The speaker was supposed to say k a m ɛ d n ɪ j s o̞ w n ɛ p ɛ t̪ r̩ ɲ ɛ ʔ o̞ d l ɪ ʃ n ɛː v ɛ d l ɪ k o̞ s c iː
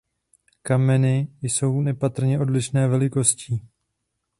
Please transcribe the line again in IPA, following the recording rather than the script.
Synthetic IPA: k a m ɛ n ɪ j s o̞ w n ɛ p a t̪ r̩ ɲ ɛ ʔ o̞ d l ɪ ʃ n ɛː v ɛ l ɪ k o̞ s c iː